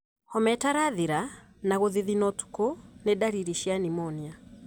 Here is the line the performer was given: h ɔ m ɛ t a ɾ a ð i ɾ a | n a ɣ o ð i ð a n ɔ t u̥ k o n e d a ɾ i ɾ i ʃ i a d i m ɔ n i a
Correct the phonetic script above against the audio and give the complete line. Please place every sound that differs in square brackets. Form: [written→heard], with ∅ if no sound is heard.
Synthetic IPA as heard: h ɔ m ɛ t a ɾ a ð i ɾ a | n a ɣ o ð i ð [a→i] n ɔ t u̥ k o n e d a ɾ i ɾ i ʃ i a [d→n] i m ɔ n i a